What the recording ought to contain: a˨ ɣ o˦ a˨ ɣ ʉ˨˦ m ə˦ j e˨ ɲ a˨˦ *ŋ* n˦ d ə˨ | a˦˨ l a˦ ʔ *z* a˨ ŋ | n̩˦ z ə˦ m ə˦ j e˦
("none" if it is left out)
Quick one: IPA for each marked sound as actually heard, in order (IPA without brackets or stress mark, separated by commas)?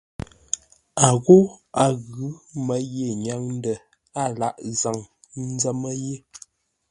ŋ, z